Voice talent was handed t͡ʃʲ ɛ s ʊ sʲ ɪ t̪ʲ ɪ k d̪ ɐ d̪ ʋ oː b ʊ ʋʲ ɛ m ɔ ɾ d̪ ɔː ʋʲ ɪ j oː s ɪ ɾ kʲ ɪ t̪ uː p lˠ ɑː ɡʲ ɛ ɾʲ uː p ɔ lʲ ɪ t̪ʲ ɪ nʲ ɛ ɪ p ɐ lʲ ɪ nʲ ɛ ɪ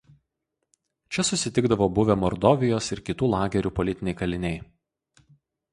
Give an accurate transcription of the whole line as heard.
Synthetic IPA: t͡ʃʲ ɛ s ʊ sʲ ɪ t̪ʲ ɪ ɡ d̪ ɐ ʋ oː b ʊ ʋʲ ɛ m ɔ ɾ d̪ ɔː ʋʲ ɪ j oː s ɪ ɾ kʲ ɪ t̪ uː lˠ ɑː ɡʲ ɛ ɾʲ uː p ɔ lʲ ɪ t̪ʲ ɪ nʲ ɛ ɪ k ɐ lʲ ɪ nʲ ɛ ɪ